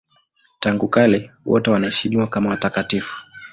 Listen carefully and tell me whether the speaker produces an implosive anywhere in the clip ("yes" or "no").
no